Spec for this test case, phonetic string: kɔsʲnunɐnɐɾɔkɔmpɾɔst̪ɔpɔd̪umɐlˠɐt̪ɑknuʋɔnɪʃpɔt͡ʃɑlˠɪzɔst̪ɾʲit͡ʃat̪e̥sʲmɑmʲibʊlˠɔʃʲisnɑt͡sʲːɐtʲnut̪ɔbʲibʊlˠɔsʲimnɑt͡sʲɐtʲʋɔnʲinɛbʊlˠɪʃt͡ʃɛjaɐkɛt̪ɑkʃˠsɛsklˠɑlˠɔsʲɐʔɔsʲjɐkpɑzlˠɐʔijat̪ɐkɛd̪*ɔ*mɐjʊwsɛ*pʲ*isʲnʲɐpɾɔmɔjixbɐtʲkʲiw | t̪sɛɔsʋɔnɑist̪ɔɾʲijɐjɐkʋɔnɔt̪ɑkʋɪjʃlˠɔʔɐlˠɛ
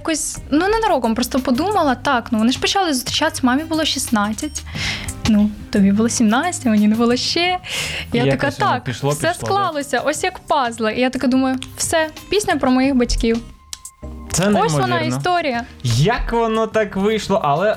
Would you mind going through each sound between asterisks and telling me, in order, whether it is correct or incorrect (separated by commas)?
incorrect, correct